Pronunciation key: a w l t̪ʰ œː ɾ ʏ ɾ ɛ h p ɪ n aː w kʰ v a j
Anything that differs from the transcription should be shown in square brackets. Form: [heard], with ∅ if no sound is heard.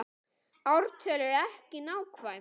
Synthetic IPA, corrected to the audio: a w [ɾ] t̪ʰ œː [l] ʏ ɾ ɛ h [c] ɪ n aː w kʰ v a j